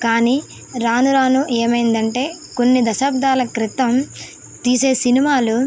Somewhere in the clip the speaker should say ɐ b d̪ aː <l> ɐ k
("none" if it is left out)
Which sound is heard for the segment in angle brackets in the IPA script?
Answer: l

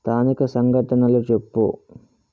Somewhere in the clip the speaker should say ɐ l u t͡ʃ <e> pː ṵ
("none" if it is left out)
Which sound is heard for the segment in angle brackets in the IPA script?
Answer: e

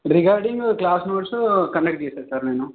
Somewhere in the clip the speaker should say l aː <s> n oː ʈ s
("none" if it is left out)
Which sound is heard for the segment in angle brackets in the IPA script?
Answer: s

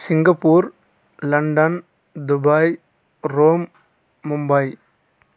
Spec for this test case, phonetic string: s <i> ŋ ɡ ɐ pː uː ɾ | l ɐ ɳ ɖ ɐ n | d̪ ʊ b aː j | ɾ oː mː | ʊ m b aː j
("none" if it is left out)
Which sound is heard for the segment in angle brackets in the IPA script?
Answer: ɪ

